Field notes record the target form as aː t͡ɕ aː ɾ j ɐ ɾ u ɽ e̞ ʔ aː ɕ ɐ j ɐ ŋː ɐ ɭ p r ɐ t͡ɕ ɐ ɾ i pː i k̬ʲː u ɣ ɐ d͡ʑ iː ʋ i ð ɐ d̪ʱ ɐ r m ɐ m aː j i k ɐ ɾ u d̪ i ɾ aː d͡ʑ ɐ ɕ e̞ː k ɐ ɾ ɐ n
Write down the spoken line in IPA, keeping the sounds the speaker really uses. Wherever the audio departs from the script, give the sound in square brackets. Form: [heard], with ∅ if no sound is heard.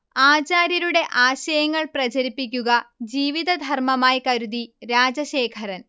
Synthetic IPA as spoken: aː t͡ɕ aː ɾ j ɐ ɾ u ɽ e̞ ʔ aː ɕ ɐ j ɐ ŋː ɐ ɭ p r ɐ t͡ɕ ɐ ɾ i pː i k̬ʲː u ɣ ɐ d͡ʑ iː ʋ i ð ɐ d̪ʱ ɐ r m ɐ m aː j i k ɐ ɾ u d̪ i ɾ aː d͡ʑ ɐ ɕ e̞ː [kʰ] ɐ ɾ ɐ n